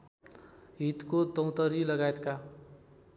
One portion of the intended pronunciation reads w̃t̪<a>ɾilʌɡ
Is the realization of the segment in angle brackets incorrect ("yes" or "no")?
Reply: yes